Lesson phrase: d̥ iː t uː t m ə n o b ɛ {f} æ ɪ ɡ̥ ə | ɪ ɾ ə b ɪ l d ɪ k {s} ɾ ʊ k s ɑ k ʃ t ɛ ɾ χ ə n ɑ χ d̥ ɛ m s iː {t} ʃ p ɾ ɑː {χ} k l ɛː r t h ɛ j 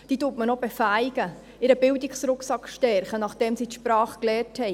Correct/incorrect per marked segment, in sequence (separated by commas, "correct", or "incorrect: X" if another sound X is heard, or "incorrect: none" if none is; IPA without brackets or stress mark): correct, correct, correct, correct